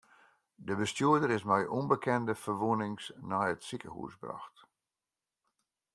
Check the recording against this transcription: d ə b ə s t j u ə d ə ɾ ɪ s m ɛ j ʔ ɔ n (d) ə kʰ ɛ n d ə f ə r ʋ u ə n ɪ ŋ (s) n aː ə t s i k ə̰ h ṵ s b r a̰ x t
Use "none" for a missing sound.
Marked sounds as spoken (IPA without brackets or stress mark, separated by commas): b, s